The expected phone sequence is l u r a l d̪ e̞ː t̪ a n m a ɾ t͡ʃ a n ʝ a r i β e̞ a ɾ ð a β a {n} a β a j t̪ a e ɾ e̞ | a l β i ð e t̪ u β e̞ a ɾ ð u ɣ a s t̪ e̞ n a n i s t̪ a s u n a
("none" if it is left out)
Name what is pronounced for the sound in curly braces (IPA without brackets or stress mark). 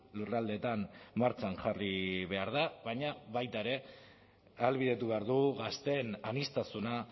ɲ